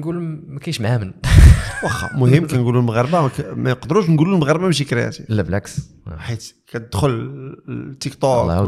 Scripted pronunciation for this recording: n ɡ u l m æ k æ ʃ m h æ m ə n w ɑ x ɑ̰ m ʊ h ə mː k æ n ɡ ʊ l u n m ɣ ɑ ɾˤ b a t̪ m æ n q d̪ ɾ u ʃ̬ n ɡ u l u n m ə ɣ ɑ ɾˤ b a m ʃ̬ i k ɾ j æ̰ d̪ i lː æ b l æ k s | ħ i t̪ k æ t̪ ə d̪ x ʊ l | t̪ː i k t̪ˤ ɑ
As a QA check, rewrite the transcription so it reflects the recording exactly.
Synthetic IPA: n ɡ u l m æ k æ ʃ m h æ m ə n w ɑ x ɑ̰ m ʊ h ə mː k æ n ɡ u l u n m ɣ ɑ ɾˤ b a m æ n q d̪ ɾ u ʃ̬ n ɡ u l u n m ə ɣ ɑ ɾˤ b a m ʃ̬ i k ɾ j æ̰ t̪ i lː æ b l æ k s | ħ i t̪ k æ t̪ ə d̪ x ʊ l | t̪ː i k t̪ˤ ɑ